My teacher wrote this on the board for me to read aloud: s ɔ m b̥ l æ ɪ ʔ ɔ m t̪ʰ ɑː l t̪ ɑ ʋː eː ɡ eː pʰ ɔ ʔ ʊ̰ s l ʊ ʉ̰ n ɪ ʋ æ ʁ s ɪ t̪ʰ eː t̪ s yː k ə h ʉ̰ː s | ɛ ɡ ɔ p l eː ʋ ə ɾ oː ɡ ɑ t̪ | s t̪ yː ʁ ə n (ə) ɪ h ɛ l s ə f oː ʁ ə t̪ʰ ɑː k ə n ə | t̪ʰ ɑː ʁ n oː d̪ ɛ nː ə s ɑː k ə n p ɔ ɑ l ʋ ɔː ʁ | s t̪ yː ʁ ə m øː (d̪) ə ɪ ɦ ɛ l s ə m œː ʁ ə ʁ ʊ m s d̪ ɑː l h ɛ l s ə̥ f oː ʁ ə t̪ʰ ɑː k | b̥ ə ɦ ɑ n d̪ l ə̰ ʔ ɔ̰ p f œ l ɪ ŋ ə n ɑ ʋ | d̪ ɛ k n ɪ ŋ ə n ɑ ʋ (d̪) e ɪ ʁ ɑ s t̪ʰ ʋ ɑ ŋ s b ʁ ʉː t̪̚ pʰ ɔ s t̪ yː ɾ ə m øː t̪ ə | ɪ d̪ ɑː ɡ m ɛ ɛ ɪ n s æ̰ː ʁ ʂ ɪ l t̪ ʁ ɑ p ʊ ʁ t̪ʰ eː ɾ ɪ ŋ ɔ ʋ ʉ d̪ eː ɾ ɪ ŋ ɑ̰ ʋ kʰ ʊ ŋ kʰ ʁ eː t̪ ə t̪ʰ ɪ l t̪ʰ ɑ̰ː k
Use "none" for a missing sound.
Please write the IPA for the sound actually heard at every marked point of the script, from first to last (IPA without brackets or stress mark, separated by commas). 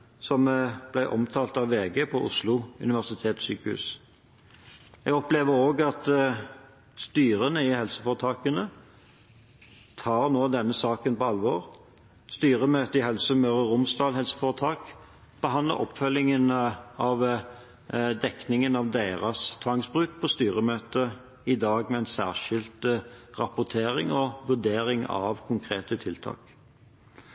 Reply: ə, t̪, d̪